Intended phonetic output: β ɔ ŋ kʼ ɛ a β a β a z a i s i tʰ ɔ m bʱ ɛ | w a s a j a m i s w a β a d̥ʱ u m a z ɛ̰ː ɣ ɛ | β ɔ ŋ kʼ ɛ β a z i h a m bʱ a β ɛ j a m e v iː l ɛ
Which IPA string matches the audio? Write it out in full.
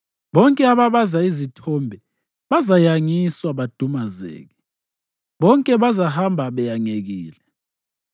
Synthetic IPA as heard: β ɔ ŋ kʼ ɛ a β a β a z a i z i tʰ ɔ m bʱ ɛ | β a z a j a ŋ i s w a β a d̥ʱ u m a z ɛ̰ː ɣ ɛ | β ɔ ŋ kʼ ɛ β a z a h a m bʱ a β ɛ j a ŋ e ɣ iː l ɛ